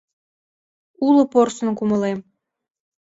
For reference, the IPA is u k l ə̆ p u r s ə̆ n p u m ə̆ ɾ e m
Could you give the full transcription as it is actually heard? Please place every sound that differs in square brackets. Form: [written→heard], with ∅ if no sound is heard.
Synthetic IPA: u [k→∅] l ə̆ p [u→o] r s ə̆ n [p→k] u m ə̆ [ɾ→l] e m